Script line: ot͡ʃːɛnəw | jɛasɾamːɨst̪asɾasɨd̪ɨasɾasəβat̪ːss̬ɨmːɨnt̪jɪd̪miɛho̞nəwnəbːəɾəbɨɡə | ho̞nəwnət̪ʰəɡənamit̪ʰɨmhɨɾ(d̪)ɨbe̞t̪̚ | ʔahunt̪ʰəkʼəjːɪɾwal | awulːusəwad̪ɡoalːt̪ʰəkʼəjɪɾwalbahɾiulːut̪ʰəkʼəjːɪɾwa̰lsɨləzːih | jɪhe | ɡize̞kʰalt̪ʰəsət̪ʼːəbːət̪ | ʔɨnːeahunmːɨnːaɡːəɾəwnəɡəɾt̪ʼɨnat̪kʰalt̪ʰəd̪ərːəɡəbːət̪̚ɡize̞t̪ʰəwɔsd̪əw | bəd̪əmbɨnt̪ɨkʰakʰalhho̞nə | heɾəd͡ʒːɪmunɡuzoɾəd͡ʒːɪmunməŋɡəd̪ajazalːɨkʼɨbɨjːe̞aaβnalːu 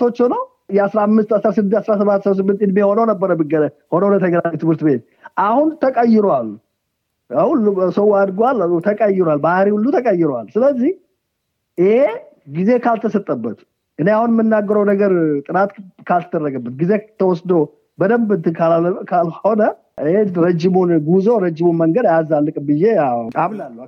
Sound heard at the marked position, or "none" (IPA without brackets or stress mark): t̪